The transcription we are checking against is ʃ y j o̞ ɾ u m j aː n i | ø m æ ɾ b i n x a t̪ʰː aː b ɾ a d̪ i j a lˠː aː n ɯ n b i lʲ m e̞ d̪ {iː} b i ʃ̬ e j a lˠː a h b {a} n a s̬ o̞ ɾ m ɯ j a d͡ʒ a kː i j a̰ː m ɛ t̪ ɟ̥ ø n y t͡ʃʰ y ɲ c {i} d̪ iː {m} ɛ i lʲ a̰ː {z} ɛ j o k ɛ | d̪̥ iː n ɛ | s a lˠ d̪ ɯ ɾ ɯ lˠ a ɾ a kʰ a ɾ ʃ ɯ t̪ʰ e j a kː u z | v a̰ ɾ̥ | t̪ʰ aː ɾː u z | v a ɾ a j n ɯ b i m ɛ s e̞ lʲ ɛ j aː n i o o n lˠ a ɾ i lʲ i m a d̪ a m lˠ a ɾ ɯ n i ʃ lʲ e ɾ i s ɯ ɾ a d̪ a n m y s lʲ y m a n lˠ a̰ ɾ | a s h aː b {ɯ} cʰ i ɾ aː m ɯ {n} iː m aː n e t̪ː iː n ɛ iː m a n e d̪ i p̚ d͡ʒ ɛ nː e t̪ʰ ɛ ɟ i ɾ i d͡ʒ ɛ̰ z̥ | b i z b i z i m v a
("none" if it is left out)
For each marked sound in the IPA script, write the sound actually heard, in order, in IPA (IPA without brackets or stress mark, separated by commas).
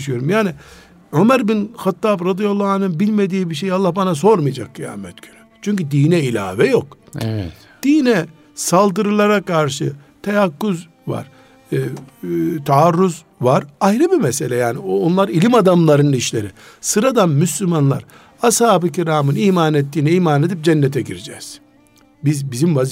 iː, a, y, n, v, ɯ, n